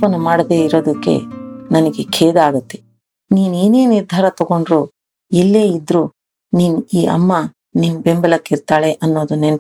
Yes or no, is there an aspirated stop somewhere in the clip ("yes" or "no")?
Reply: yes